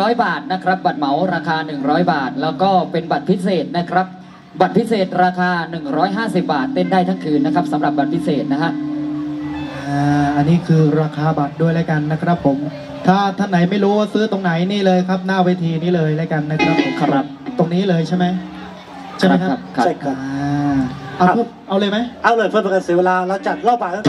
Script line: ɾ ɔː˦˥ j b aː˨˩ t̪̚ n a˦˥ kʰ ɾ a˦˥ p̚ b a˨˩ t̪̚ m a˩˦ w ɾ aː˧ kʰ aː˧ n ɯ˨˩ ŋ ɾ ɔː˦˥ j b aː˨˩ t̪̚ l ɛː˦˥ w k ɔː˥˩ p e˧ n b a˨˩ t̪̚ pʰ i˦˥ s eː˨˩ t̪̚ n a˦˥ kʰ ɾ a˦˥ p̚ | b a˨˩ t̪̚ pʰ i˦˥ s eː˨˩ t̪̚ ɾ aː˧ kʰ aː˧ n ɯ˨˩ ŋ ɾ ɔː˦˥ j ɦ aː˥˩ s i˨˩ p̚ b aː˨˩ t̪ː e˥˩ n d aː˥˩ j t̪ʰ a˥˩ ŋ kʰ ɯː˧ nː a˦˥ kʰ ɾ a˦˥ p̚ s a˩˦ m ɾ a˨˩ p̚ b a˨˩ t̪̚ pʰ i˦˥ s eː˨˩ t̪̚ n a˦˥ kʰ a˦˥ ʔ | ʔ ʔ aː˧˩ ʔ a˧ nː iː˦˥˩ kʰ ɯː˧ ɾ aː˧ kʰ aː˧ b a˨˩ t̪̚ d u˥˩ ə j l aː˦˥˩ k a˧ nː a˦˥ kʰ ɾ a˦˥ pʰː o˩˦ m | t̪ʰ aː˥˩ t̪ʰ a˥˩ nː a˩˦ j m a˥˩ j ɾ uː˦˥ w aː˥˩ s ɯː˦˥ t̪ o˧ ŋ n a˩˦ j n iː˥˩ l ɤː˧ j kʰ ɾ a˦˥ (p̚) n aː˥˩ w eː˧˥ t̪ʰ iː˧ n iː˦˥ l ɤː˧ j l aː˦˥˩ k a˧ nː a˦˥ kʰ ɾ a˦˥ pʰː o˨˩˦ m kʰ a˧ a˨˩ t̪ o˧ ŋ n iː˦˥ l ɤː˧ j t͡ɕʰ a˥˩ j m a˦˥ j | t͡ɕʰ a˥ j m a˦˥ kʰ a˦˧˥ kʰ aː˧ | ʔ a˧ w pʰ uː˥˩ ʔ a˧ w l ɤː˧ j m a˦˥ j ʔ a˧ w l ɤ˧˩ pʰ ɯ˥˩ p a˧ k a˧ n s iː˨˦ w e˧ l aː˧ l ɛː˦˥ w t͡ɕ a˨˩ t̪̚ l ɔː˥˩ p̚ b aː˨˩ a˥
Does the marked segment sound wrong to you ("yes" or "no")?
no